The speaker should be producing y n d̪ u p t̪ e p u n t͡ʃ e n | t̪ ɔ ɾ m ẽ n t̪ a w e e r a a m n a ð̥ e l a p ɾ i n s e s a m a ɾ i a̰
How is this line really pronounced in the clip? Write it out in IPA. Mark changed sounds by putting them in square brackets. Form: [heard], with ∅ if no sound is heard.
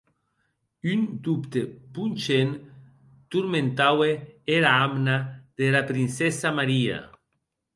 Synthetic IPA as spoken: y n d̪ u p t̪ e p u n t͡ʃ e n | t̪ [u] ɾ m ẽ n t̪ a w e e [ɾ] a a m n a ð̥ e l a p ɾ i n s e s a m a ɾ i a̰